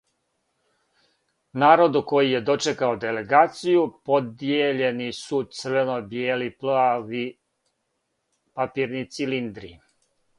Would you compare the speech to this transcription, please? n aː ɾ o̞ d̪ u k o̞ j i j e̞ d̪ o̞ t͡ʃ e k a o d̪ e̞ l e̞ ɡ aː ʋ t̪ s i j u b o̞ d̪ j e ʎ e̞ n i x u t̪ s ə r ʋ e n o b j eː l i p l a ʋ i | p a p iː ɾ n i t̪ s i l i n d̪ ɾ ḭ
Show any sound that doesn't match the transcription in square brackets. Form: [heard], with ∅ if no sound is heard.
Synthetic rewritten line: n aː ɾ o̞ d̪ u k o̞ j i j e̞ d̪ o̞ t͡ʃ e k a o d̪ e̞ l e̞ ɡ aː [∅] t̪ s i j u [p] o̞ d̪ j e ʎ e̞ n i [s] u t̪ s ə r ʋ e n o b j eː l i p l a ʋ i | p a p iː ɾ n i t̪ s i l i n d̪ ɾ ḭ